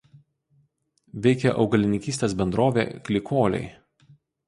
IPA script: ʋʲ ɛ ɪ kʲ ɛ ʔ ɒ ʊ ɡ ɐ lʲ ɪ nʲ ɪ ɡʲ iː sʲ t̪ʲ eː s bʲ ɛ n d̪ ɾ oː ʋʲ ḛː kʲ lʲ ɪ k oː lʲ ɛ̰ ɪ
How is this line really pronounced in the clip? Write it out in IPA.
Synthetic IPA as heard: ʋʲ ɛ ɪ kʲ ɛ ʔ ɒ ʊ ɡ ɐ lʲ ɪ nʲ ɪ kʲ iː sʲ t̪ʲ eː s bʲ ɛ n d̪ ɾ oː ʋʲ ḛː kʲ lʲ ɪ k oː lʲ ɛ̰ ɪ